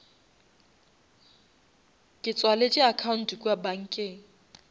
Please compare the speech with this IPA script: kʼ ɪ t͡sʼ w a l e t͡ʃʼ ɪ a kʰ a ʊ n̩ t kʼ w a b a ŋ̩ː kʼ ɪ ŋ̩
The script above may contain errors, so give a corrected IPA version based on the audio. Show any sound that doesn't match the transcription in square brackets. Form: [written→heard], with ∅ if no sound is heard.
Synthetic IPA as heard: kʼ ɪ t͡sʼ w a l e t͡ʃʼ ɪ a kʰ a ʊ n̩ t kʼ w a b a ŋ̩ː kʼ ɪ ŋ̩